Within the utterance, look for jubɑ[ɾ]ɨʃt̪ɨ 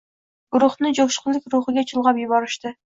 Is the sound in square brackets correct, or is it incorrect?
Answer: correct